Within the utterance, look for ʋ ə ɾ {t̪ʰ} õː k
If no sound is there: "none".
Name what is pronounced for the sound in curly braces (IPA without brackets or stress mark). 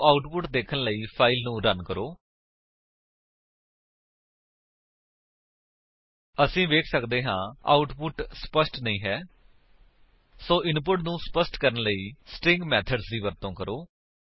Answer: t̪